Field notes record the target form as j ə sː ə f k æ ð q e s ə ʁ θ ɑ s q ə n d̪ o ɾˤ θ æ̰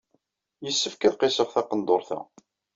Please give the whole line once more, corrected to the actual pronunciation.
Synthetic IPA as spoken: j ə sː ə f k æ ð q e s ə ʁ θ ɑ q ə n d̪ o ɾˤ θ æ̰